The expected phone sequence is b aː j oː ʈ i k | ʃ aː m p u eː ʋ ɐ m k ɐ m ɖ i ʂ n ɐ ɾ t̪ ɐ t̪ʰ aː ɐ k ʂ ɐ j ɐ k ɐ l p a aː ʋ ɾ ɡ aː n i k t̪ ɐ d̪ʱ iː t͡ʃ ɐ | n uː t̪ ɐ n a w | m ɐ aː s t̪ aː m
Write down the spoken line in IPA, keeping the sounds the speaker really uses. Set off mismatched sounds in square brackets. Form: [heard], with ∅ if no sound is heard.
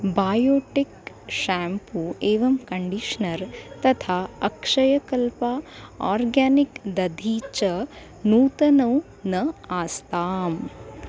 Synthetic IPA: b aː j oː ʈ i k | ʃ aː m p u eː ʋ ɐ m k ɐ [ɳ] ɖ i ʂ n ɐ ɾ t̪ ɐ t̪ʰ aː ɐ k ʂ ɐ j ɐ k ɐ l p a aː [∅] ɾ ɡ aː n i k [d̪] ɐ d̪ʱ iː t͡ʃ ɐ | n uː t̪ ɐ n [ɐ] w | [n] ɐ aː s t̪ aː m